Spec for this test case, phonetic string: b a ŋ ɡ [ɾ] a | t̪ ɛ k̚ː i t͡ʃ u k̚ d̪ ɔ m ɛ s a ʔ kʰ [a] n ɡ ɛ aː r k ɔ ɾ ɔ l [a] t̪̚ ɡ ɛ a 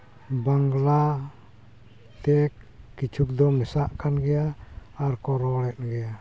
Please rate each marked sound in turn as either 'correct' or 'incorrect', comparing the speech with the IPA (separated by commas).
incorrect, correct, incorrect